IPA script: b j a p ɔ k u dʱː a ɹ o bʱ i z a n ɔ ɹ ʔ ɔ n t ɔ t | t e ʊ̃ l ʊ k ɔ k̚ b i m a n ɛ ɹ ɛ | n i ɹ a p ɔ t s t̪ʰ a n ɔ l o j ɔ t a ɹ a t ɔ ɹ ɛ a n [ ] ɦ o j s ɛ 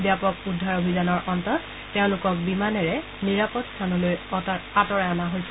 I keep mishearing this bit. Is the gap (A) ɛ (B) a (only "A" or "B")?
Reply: B